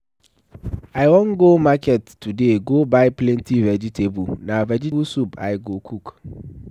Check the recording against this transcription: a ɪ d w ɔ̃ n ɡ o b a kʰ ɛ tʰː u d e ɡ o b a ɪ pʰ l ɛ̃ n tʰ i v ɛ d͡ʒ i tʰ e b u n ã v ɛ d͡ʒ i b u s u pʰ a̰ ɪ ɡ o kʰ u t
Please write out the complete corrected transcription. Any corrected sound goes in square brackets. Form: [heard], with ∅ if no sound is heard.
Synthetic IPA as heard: a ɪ [∅] w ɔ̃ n ɡ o [m] a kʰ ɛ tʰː u d e ɡ o b a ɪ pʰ l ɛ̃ n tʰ i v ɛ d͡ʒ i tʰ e b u n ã v ɛ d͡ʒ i b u s u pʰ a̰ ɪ ɡ o kʰ u [k]